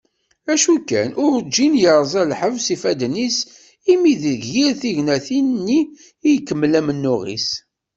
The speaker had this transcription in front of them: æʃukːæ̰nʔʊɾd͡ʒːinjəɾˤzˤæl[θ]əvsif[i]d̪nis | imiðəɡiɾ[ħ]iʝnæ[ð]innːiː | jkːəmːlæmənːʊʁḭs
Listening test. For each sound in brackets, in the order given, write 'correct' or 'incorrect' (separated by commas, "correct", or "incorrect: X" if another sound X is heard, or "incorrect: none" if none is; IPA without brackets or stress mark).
incorrect: ħ, incorrect: æ, incorrect: θ, incorrect: θ